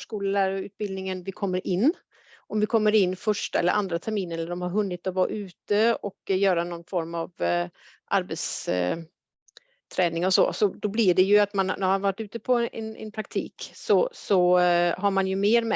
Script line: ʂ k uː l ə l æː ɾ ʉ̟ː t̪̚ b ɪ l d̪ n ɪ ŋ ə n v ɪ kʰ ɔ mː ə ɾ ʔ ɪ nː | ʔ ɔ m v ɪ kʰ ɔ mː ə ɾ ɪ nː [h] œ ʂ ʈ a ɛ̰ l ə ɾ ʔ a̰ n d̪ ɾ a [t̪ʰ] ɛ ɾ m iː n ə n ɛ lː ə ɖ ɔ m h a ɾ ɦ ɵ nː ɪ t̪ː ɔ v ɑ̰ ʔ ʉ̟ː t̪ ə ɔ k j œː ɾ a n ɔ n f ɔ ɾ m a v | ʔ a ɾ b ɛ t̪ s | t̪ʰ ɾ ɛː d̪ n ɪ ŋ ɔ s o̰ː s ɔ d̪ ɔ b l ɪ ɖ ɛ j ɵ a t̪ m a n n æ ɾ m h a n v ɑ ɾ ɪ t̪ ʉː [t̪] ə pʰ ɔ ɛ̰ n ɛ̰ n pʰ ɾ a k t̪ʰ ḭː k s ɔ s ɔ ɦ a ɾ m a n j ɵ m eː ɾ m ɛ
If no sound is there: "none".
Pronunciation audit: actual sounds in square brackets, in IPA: f, t̪ʰ, t̪

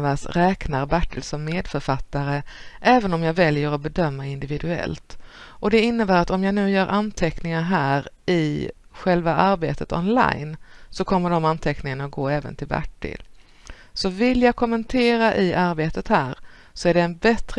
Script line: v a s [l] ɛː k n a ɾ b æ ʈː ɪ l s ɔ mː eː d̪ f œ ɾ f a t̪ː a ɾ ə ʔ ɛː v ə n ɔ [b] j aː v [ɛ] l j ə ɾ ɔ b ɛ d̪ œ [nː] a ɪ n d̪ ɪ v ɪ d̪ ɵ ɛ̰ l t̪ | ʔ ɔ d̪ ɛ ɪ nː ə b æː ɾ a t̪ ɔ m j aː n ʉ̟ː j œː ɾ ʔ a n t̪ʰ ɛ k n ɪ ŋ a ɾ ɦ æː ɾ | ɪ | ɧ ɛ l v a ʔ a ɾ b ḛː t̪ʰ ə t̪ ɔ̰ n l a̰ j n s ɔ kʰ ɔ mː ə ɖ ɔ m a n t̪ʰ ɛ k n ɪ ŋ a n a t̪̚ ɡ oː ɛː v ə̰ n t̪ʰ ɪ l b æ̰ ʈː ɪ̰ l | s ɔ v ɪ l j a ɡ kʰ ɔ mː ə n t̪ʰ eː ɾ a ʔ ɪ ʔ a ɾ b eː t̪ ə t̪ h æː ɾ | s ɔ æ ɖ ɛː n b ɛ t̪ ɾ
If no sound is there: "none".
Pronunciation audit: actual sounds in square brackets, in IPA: ɾ, m, ɛ, mː

